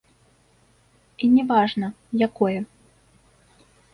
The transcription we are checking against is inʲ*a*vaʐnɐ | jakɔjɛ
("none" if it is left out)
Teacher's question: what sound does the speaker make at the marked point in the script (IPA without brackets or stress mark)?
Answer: ɛ